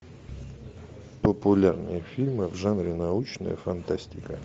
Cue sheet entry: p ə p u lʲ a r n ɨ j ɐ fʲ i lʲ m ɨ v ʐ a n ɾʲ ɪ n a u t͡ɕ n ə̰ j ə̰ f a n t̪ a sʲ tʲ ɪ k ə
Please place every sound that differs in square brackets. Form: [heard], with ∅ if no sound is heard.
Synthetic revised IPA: p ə p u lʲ a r n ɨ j [ə] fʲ i lʲ m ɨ v ʐ a n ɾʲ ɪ n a u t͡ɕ n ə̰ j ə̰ f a n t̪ a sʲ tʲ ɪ k ə